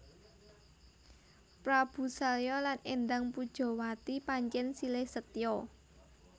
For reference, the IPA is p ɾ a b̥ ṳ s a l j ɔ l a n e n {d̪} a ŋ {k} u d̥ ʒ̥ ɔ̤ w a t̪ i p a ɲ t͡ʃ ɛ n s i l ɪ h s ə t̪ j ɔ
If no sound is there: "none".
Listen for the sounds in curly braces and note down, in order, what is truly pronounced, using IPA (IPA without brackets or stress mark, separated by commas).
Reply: d̪, p